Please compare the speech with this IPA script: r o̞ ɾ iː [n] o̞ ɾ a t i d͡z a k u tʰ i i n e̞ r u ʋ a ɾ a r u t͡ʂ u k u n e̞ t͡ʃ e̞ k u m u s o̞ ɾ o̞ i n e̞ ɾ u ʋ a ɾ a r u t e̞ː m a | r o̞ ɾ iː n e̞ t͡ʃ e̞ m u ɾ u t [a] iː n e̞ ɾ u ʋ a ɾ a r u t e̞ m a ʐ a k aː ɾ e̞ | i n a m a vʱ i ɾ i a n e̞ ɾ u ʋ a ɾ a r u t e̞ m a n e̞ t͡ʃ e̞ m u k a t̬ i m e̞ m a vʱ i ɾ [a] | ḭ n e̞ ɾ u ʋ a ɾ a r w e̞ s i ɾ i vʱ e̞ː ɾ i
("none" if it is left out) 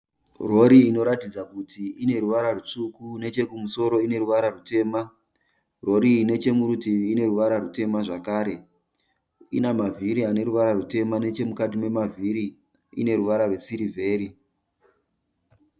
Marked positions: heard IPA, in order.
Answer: n, i, i

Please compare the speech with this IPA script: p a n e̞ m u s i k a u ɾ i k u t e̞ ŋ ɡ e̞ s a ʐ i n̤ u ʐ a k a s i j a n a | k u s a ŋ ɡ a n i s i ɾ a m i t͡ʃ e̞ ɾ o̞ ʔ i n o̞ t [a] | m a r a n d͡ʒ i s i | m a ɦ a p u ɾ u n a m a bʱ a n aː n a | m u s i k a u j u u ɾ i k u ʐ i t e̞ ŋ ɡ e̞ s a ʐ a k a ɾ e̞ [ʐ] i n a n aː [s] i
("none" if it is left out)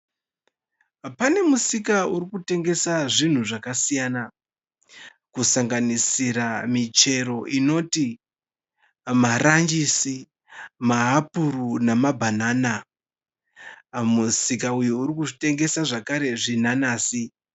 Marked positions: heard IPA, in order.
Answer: i, ʐ, s

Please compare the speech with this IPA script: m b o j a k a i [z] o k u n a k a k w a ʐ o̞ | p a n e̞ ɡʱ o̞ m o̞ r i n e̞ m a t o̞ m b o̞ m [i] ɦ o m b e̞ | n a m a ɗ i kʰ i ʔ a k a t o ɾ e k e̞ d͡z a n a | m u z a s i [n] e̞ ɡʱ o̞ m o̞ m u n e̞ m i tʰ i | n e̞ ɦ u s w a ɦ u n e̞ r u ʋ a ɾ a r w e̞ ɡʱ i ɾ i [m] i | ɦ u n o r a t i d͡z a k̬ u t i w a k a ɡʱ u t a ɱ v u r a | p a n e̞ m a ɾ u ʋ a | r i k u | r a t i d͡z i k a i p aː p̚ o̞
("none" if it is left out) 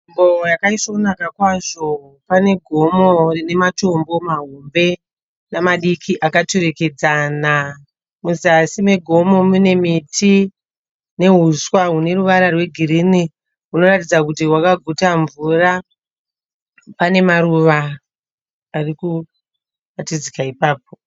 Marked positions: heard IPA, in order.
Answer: s, a, m, n

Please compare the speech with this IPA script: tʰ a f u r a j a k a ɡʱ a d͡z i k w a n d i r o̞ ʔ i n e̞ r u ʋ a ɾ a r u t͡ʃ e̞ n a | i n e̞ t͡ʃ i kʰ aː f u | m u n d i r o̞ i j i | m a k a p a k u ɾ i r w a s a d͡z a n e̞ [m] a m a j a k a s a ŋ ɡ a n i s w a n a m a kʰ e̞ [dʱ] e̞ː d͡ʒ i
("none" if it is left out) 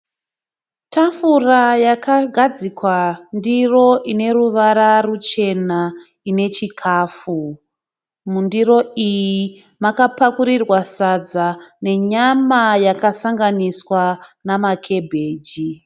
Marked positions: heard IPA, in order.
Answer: ɲ, bʱ

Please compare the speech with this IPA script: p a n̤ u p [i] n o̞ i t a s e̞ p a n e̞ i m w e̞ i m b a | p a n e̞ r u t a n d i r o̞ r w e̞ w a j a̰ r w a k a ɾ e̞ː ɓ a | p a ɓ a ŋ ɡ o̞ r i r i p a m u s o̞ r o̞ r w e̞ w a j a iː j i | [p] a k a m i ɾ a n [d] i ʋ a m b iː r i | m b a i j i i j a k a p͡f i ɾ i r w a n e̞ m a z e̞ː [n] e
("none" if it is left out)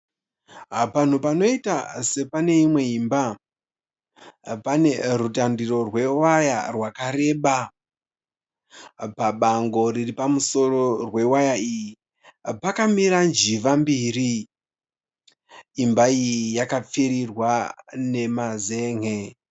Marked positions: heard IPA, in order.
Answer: a, p, d͡ʒ, ŋ

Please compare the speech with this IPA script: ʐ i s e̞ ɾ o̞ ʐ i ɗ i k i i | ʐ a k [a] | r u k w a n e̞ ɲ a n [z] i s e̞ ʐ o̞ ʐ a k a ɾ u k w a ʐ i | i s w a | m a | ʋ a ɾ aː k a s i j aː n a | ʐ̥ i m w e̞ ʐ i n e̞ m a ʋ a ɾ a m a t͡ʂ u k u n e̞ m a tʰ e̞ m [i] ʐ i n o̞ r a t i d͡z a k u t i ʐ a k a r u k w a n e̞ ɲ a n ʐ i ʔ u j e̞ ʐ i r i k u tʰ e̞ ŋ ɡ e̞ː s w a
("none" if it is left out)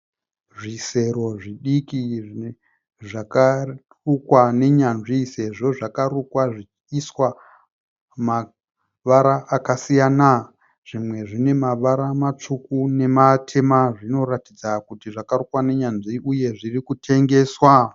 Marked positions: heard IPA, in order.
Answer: a, ʐ, a

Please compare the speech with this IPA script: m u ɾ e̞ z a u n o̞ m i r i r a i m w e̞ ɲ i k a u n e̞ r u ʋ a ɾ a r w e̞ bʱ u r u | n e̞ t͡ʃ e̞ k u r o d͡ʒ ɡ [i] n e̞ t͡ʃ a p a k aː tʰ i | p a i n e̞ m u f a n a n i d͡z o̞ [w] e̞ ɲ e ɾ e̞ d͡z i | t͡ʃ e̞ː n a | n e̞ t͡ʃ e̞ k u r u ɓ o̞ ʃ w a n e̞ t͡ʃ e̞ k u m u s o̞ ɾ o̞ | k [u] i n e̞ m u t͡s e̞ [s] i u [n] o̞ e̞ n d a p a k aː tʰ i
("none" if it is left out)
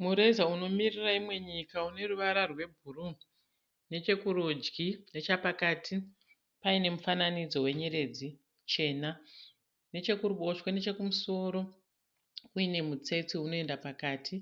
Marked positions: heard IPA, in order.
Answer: i, w, u, t͡s, n

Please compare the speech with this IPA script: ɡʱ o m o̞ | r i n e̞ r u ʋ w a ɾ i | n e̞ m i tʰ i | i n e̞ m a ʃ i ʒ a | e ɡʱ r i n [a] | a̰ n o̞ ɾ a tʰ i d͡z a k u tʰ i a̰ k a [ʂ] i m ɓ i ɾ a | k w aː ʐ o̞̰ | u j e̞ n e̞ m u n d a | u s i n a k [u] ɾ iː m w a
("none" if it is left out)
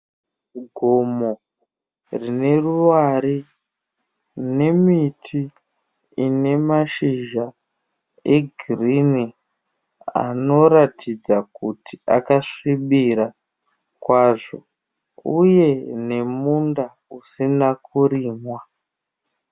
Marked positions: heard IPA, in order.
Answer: i, ʂ, u

